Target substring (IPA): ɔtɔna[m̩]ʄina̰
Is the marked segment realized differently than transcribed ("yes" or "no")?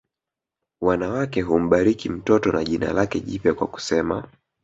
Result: yes